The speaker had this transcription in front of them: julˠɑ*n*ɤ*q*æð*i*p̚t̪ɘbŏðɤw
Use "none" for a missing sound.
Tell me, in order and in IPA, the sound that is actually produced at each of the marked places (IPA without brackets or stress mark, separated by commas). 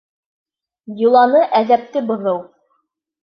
n, ʔ, æ